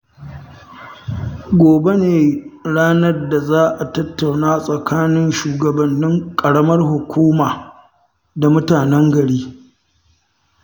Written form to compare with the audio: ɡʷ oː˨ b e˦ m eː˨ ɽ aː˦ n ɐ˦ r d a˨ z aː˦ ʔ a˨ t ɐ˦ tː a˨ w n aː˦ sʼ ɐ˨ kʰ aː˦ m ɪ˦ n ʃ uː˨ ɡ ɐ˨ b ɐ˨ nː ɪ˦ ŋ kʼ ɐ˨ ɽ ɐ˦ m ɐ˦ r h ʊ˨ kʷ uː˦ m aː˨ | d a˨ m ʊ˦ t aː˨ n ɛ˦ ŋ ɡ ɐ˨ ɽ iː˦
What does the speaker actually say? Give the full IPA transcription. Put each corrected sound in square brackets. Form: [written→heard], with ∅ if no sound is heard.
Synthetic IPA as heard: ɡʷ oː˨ b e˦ [m→n] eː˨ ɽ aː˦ n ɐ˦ r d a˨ z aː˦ ʔ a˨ t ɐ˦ tː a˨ w n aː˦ sʼ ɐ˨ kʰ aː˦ [m→n] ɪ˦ n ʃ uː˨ ɡ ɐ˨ b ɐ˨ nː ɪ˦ ŋ kʼ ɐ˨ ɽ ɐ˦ m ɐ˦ r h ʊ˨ kʷ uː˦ m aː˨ | d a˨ m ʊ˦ t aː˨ n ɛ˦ ŋ ɡ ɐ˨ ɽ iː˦